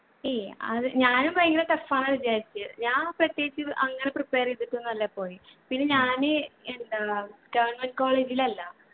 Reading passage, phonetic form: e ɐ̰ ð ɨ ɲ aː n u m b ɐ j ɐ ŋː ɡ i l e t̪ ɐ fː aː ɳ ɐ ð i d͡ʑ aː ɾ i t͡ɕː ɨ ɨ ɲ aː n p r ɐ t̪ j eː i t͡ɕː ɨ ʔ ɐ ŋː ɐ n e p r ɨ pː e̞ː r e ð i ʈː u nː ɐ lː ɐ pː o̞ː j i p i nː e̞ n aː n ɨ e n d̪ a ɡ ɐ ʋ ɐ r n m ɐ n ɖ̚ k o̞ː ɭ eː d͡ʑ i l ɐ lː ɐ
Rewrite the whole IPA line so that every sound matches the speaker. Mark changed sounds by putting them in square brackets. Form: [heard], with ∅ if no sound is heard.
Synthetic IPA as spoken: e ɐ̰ ð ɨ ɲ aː n u m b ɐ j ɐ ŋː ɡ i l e t̪ ɐ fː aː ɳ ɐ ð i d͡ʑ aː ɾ i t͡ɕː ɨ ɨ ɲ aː n p r ɐ t̪ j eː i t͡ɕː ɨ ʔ ɐ ŋː ɐ n e p r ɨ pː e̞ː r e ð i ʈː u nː ɐ lː ɐ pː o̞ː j i p i nː e̞ [ɲ] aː n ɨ e n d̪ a ɡ ɐ ʋ ɐ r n m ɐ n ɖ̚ k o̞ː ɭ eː d͡ʑ i l ɐ lː ɐ